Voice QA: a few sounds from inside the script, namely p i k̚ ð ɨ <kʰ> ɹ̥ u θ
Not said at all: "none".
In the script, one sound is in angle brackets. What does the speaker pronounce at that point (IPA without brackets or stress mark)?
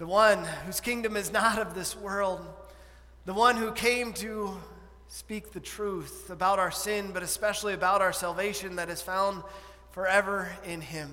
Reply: tʰ